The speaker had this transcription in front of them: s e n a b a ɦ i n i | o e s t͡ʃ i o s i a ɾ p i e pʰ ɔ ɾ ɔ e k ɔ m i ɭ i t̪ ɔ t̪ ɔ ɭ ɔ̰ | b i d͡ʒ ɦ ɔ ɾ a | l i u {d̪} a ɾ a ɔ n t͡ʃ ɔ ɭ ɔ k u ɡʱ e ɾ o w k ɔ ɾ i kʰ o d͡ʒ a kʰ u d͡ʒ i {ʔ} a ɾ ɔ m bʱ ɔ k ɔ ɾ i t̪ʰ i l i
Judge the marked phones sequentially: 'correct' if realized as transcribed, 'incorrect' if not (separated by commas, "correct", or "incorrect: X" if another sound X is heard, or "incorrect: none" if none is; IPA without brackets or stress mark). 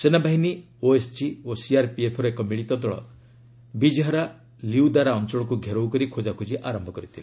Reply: correct, correct